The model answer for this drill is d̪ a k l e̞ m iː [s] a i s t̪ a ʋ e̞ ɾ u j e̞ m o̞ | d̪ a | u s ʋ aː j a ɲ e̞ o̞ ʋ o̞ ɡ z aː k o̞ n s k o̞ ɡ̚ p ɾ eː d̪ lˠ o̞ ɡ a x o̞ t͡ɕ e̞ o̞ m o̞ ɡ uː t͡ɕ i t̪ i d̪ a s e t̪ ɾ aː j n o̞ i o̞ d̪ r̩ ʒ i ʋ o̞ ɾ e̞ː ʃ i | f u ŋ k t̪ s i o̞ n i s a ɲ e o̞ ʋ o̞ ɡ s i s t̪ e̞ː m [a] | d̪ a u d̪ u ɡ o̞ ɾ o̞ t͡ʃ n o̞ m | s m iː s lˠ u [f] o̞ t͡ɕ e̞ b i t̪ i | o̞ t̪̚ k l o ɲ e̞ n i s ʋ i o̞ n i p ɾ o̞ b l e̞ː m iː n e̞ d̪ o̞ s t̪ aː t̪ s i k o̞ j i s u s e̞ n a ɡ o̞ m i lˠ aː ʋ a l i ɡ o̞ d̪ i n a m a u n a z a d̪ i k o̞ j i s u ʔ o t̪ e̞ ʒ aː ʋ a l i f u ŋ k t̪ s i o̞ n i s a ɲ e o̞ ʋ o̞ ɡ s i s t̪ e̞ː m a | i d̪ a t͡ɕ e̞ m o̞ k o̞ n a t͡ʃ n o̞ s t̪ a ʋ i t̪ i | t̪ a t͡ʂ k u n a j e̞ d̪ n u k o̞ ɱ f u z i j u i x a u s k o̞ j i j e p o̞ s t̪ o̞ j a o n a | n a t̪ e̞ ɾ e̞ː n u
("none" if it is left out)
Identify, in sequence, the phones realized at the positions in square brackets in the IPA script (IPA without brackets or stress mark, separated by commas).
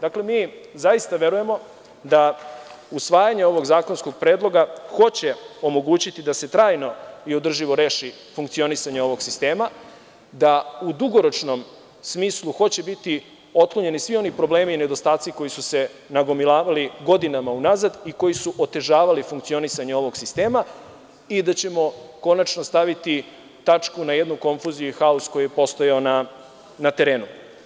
z, a, x